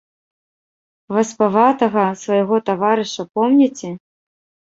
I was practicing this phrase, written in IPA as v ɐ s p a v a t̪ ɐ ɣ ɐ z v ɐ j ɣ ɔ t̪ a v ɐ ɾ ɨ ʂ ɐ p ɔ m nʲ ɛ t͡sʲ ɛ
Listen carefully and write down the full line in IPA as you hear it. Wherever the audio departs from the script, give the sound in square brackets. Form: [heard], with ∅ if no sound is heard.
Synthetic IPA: v ɐ s p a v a t̪ ɐ ɣ ɐ [s] v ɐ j ɣ ɔ t̪ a v [a] ɾ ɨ ʂ ɐ p ɔ m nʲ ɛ t͡sʲ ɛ